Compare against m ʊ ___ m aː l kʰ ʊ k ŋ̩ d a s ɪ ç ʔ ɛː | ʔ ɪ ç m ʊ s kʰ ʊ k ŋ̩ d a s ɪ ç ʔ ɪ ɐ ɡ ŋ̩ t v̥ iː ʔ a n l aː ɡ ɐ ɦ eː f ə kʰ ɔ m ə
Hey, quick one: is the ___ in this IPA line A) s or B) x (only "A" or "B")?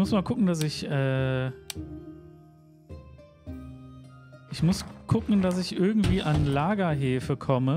A